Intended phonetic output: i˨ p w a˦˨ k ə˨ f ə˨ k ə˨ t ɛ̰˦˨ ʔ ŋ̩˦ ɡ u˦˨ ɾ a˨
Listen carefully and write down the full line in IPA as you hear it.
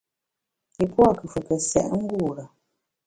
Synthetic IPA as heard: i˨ p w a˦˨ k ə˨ f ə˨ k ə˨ s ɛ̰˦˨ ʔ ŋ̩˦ ɡ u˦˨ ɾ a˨